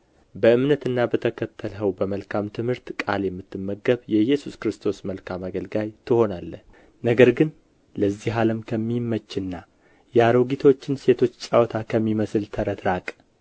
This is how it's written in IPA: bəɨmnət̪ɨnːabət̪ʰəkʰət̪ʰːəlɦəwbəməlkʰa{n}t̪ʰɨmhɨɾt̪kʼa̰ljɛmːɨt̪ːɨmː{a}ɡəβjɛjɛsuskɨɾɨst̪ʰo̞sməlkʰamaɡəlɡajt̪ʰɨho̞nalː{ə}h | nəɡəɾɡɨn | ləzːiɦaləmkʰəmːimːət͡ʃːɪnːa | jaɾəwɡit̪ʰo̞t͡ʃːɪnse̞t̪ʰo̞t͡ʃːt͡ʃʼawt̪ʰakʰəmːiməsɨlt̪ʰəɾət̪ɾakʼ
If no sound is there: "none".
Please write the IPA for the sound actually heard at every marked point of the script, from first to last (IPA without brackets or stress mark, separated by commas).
m, ə, ə